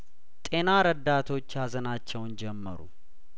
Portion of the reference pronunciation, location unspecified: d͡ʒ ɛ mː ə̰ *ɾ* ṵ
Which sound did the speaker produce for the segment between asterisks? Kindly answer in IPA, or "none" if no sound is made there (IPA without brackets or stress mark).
ɾ